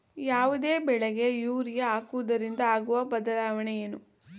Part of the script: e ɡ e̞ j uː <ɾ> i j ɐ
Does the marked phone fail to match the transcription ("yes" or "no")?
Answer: no